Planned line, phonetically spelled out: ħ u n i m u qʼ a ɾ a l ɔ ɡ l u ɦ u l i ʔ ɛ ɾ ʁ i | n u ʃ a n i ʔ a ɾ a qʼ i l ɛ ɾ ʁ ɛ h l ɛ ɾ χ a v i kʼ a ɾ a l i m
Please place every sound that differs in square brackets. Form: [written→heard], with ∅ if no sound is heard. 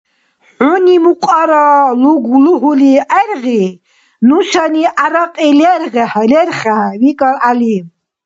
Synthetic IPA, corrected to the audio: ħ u n i m u qʼ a ɾ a l [ɔ→u] ɡ l u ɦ u l i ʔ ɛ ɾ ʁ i | n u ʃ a n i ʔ a ɾ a qʼ i l ɛ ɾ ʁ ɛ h l ɛ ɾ χ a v i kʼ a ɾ a l i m